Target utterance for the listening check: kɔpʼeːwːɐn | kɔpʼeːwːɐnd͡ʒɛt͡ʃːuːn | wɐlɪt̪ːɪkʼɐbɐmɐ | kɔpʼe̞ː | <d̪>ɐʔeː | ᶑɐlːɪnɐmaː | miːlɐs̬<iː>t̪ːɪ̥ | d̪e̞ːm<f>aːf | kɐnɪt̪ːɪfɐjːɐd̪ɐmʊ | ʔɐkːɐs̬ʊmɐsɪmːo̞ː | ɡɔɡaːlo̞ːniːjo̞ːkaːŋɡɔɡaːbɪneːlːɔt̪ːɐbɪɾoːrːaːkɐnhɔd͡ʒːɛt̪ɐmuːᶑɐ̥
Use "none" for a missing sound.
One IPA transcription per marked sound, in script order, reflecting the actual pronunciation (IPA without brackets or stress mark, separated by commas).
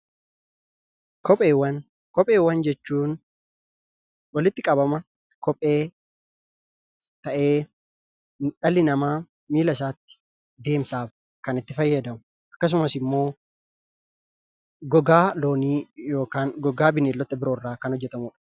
t̪, aː, s